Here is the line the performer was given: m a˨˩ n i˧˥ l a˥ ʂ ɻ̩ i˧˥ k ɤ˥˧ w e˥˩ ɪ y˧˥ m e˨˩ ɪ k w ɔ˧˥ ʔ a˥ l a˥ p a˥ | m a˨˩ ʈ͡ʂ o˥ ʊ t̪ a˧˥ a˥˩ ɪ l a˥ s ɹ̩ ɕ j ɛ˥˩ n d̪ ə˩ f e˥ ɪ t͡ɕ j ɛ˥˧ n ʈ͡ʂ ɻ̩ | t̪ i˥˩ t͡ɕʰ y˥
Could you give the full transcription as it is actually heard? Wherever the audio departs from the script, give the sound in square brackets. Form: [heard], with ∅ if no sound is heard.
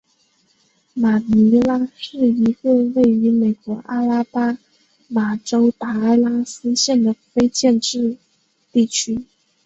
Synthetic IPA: m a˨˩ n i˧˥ l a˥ ʂ ɻ̩ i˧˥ k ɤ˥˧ w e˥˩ ɪ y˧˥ m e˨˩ ɪ k w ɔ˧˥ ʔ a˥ l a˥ p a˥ | m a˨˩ ʈ͡ʂ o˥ ʊ t̪ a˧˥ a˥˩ ɪ l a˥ s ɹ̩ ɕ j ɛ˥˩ n d̪ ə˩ f e˥ ɪ t͡ɕ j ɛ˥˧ n ʈ͡ʂ ɻ̩ | t̪ i˥˩ t͡ɕʰ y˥